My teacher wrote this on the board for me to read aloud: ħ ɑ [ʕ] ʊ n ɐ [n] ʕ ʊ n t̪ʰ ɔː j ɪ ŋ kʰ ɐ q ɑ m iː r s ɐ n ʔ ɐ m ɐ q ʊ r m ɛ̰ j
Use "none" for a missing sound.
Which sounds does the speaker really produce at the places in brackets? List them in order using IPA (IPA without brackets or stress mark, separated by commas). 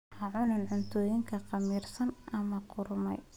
ʕ, n